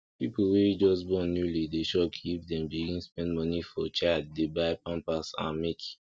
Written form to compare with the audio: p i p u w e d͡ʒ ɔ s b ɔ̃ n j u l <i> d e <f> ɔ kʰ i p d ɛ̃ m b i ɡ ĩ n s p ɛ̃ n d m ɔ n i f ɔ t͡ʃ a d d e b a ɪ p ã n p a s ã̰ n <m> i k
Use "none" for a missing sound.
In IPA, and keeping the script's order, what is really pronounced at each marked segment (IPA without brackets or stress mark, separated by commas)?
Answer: i, ʃ, m